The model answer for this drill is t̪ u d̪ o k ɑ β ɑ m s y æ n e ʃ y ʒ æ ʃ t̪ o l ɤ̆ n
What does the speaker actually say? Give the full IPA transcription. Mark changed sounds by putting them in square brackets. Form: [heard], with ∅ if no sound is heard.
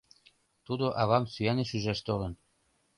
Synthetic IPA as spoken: t̪ u d̪ o [ʔ] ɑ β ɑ m s y æ n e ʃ y ʒ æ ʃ t̪ o l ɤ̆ n